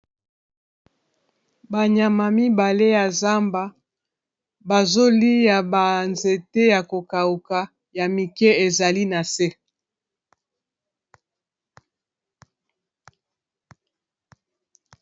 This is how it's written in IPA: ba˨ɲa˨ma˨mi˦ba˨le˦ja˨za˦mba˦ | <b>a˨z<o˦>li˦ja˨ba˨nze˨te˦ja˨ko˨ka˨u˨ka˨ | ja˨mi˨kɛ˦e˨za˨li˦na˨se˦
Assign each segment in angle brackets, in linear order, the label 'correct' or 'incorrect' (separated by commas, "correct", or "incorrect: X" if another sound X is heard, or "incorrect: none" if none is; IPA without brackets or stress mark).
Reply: correct, correct